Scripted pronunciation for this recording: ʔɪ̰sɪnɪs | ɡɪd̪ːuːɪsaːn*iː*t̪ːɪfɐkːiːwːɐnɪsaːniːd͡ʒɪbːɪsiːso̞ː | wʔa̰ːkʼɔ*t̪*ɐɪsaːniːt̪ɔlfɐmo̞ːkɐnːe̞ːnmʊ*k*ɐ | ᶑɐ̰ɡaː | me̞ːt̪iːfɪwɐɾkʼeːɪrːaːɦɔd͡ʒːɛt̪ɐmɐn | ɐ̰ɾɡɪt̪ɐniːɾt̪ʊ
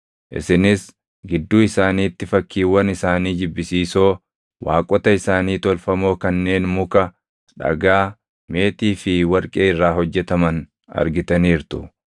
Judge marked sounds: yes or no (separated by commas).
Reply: yes, yes, yes